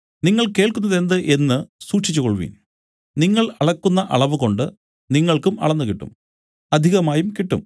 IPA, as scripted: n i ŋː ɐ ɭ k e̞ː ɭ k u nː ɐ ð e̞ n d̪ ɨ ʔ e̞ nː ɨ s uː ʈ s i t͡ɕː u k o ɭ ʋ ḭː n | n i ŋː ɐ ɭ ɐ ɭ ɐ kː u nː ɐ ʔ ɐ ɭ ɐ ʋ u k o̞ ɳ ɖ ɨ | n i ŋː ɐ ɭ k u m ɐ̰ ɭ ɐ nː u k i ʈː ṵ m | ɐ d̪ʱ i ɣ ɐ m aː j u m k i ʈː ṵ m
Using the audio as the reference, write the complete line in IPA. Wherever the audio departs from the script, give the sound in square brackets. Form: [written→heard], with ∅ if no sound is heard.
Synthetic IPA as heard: n i ŋː ɐ ɭ k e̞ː ɭ k u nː ɐ ð e̞ n d̪ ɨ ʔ e̞ nː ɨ s uː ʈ [s→ʂ] i t͡ɕː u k o ɭ ʋ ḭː n | n i ŋː ɐ ɭ ɐ ɭ ɐ kː u nː ɐ ʔ ɐ ɭ ɐ ʋ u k o̞ ɳ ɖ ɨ | n i ŋː ɐ ɭ k u m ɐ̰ ɭ ɐ nː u k i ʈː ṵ m | ɐ d̪ʱ i ɣ ɐ m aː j u m k i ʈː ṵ m